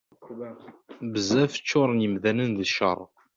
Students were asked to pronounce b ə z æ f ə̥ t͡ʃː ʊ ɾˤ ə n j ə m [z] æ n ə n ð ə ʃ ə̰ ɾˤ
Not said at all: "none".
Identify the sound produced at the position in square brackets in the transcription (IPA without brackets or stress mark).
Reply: ð